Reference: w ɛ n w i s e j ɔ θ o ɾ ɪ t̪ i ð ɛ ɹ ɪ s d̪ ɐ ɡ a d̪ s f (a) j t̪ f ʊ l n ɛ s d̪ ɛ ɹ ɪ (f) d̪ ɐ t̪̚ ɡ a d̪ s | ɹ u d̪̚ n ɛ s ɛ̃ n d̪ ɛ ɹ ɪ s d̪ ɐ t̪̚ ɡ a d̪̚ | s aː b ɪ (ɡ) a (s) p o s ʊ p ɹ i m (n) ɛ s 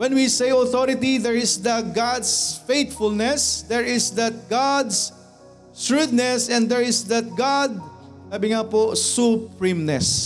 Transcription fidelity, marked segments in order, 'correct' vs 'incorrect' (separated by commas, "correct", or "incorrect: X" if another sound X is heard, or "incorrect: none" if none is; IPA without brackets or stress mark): incorrect: e, incorrect: s, incorrect: ŋ, incorrect: none, correct